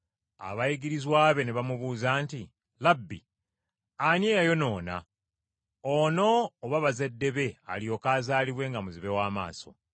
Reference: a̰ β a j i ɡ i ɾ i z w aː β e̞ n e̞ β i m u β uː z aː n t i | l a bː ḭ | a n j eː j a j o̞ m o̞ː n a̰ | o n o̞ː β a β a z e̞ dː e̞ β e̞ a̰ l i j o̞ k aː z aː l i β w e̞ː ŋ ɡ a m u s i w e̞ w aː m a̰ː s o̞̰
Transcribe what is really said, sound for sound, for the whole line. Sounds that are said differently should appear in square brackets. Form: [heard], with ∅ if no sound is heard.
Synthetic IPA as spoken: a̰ β a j i ɡ i ɾ i z w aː β e̞ n e̞ β [a] m u β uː z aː n t i | l a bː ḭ | a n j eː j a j o̞ [n] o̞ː n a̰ | o n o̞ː β a β a z e̞ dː e̞ β e̞ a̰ l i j o̞ k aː z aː l i β w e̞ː ŋ ɡ a m u [z] i [β] e̞ w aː m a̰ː s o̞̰